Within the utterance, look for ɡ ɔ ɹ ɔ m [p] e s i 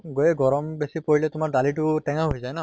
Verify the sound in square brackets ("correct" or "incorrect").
incorrect